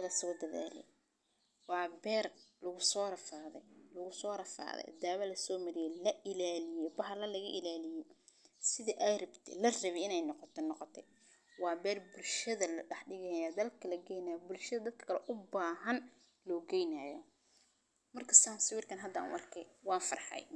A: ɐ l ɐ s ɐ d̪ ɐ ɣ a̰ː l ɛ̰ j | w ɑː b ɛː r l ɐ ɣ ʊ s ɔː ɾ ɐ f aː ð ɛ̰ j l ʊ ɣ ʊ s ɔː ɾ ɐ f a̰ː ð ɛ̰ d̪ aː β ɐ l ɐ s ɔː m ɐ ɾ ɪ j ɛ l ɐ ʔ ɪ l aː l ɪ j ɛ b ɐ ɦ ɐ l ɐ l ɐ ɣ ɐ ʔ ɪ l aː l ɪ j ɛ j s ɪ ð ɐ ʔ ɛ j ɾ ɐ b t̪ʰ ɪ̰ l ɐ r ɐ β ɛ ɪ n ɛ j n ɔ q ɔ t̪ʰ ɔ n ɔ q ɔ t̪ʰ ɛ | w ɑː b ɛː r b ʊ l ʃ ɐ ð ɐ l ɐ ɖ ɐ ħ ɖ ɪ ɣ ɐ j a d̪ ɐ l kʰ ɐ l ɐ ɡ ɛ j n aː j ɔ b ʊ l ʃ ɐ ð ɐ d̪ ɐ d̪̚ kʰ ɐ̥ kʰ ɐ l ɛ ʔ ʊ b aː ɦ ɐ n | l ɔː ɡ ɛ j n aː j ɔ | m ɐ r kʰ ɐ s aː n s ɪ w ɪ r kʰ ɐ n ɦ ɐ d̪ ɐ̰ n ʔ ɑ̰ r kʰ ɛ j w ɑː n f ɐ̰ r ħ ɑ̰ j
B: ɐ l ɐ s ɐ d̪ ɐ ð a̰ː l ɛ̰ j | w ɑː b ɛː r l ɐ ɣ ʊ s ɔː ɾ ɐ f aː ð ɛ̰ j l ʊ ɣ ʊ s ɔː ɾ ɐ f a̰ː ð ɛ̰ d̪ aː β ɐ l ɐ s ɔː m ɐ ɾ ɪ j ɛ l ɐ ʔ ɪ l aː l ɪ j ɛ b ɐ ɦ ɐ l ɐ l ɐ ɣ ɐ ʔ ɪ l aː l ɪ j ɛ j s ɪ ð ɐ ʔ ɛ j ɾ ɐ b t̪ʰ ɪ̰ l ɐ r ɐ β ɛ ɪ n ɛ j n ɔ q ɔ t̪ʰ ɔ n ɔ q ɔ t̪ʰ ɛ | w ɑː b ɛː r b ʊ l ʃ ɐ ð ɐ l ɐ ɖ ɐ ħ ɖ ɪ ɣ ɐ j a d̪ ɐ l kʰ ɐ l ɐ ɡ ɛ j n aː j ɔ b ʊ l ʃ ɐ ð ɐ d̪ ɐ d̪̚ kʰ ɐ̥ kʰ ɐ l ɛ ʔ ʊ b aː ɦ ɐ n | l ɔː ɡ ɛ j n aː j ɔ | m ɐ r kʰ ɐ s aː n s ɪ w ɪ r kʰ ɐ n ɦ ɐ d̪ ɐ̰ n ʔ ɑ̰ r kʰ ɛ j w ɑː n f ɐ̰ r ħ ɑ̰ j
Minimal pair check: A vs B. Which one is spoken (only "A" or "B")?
B